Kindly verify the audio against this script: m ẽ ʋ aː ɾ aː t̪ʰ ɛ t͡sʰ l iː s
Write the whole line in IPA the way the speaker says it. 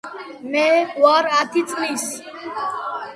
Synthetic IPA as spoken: m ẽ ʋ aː ɾ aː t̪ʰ i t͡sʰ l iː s

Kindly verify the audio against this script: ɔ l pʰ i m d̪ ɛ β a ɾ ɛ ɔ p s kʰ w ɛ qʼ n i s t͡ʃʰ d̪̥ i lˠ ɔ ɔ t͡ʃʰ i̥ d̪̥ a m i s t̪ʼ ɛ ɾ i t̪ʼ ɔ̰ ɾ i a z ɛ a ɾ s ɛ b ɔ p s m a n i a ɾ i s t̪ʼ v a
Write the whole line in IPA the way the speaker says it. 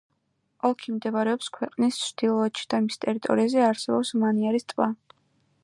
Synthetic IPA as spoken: ɔ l kʰ i m d̪ ɛ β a ɾ ɛ ɔ p s kʰ w ɛ qʼ n i s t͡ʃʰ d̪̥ i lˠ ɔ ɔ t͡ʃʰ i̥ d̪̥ a m i s t̪ʼ ɛ ɾ i t̪ʼ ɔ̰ ɾ i a z ɛ a ɾ s ɛ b ɔ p s m a n i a ɾ i s t̪ʼ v a

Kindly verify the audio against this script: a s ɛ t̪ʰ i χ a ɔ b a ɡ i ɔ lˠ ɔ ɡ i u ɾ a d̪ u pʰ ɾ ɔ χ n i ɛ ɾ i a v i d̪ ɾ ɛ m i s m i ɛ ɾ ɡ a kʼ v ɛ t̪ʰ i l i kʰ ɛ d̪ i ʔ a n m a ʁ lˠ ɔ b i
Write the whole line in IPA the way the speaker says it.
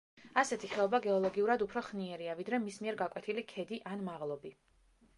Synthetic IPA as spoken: a s ɛ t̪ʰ i χ ɛ ɔ b a ɡ ɛ ɔ lˠ ɔ ɡ i u ɾ a d̪ u pʰ ɾ ɔ χ n i ɛ ɾ i a v i d̪ ɾ ɛ m i s m i ɛ ɾ ɡ a kʼ w ɛ t̪ʰ i l i kʰ ɛ d̪ i ʔ a n m a ʁ lˠ ɔ b i

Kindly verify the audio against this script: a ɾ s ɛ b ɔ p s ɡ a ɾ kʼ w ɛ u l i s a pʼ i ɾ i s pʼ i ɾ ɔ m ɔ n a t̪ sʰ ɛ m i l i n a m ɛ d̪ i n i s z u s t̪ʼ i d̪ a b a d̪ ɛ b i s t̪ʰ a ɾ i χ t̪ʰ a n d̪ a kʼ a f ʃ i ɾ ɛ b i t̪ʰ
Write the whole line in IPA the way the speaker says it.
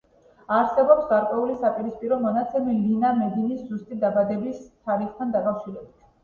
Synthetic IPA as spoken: a ɾ s ɛ b ɔ p s ɡ a ɾ kʼ w ɛ u l i s a pʼ i ɾ i s pʼ i ɾ ɔ m ɔ n a t̪ sʰ ɛ m i l i n a m ɛ d̪ i n i s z u s t̪ʼ i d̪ a b a d̪ ɛ b i s t̪ʰ a ɾ i χ t̪ʰ a n d̪ a kʼ a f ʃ i ɾ ɛ b i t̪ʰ

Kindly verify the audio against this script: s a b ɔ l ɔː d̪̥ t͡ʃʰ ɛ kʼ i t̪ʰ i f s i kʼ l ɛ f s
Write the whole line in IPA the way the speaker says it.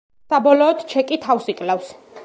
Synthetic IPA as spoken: s a b ɔ l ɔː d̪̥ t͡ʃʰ ɛ kʼ i t̪ʰ a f s i kʼ l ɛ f s

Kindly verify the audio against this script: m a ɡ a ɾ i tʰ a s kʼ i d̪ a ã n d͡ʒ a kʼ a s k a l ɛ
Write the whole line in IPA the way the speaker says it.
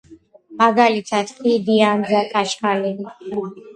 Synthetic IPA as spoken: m a ɡ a l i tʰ a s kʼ i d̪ i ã n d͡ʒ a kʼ a ʃ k a l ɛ

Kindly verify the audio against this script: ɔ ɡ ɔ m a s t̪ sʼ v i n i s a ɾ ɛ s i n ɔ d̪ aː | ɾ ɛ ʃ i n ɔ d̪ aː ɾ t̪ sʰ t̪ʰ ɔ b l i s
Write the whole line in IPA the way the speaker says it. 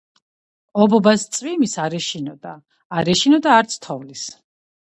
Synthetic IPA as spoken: ɔ b ɔ b a s t̪ sʼ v i m i s a ɾ ɛ ʃ i n ɔ d̪ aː | ɾ ɛ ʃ i n ɔ d̪ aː ɾ t̪ sʰ t̪ʰ ɔ v l i s

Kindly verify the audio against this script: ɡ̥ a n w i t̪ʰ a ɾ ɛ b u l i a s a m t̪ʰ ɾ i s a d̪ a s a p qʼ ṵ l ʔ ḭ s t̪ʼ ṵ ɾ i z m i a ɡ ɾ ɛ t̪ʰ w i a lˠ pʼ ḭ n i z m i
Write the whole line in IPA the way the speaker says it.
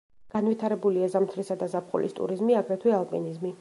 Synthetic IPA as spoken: ɡ̥ a n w i t̪ʰ a ɾ ɛ b u l i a z a m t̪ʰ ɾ i s a d̪ a z a p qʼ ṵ l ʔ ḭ s t̪ʼ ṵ ɾ i z m i a ɡ ɾ ɛ t̪ʰ w i a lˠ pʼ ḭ n i z m i

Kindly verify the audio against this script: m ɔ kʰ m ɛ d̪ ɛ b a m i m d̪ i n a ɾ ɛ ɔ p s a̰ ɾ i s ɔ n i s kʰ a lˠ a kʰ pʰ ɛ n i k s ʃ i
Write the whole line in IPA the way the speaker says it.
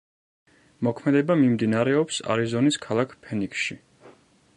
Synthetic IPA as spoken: m ɔ kʰ m ɛ d̪ ɛ b a m i m d̪ i n a ɾ ɛ ɔ p s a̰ ɾ i z ɔ n i s kʰ a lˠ a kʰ pʰ ɛ n i k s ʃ i

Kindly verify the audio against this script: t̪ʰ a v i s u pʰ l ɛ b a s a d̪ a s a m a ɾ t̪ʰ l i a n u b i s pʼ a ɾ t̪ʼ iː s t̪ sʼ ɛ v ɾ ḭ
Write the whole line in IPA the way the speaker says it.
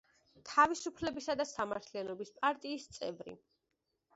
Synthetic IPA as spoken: t̪ʰ a v i s u pʰ l ɛ b i s a d̪ a s a m a ɾ t̪ʰ l i a n ɔ b i s pʼ a ɾ t̪ʼ iː s t̪ sʼ ɛ v ɾ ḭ

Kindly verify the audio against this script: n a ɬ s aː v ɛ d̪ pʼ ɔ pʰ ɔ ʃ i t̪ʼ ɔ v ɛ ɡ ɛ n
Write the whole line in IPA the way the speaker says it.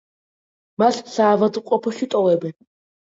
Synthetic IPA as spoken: m a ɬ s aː v a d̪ qʼ ɔ pʰ ɔ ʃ i t̪ʼ ɔ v ɛ b ɛ n

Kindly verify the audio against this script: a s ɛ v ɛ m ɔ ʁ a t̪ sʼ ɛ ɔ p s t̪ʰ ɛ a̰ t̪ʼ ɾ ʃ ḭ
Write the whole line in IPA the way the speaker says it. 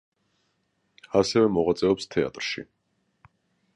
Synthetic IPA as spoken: a s ɛ v ɛ m ɔ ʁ a t̪ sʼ ɛ ɔ p s t̪ʰ ɛ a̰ t̪ʼ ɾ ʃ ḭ

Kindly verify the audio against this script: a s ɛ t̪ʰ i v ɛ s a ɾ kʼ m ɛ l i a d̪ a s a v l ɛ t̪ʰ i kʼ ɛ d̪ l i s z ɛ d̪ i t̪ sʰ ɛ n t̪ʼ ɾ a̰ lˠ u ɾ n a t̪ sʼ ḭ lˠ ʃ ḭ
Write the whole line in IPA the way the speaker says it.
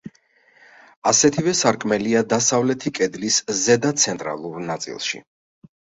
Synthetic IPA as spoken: a s ɛ t̪ʰ i v ɛ s a ɾ kʼ m ɛ l i a d̪ a s a v l ɛ t̪ʰ i kʼ ɛ d̪ l i s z ɛ d̪ a t̪ sʰ ɛ n t̪ʼ ɾ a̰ lˠ u ɾ n a t̪ sʼ ḭ lˠ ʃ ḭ

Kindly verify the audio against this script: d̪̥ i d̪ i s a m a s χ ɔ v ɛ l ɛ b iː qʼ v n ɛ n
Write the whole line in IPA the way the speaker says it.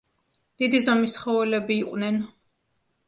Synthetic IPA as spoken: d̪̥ i d̪ i z a m i s χ ɔ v ɛ l ɛ b iː qʼ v n ɛ n

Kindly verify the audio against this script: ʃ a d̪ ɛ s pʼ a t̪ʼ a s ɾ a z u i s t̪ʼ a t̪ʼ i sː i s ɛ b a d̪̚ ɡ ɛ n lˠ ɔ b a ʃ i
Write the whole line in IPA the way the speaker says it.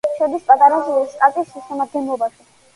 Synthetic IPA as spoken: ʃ ɛ d̪ i s pʼ a t̪ʼ a ɾ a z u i s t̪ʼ a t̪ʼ i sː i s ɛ m a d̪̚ ɡ ɛ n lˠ ɔ b a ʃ i

